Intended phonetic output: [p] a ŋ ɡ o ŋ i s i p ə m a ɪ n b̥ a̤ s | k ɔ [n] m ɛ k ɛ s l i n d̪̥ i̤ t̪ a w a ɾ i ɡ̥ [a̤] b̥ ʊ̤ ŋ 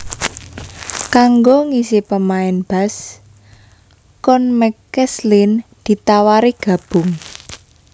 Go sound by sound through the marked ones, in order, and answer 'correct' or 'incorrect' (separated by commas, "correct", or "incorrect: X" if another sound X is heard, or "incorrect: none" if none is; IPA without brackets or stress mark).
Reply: incorrect: k, correct, correct